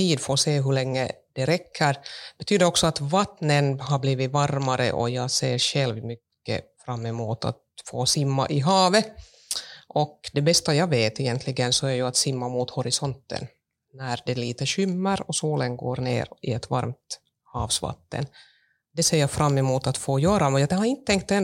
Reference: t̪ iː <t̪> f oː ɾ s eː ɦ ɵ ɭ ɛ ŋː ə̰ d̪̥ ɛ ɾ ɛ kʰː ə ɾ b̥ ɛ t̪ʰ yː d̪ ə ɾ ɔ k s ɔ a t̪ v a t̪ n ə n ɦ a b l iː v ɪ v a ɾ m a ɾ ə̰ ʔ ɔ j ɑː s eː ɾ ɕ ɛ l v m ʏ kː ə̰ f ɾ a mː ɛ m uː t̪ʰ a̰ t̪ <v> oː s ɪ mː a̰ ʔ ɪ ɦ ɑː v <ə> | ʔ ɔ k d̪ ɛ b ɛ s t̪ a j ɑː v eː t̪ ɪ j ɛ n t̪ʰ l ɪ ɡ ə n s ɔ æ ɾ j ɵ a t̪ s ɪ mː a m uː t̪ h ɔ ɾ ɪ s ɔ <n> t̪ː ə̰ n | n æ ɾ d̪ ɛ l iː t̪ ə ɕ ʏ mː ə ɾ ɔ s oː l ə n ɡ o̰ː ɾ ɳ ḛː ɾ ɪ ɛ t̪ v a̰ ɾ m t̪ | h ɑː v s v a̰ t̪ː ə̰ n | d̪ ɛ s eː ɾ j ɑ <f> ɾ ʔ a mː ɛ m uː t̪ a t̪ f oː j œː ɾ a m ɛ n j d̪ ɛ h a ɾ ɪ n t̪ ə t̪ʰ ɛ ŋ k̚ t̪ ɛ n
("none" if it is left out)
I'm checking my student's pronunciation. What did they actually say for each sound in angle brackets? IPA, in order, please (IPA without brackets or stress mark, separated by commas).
d̪, f, ə, n, f